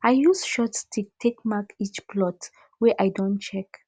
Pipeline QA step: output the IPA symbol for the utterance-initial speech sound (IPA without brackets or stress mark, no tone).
a